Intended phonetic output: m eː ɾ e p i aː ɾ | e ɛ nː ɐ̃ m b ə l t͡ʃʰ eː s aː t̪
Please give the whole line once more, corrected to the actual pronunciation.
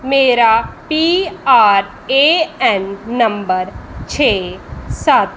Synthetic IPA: m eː ɾ a p i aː ɾ | e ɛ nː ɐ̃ m b ə ɾ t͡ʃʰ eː s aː t̪